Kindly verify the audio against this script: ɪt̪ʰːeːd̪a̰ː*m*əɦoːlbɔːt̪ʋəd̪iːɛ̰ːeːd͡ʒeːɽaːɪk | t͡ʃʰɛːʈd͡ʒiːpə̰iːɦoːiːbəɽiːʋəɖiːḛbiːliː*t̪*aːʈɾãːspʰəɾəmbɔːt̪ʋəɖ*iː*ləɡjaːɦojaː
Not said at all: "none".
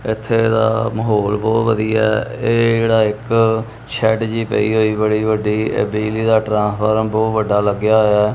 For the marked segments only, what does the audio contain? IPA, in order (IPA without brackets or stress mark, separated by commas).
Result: m, d̪, aː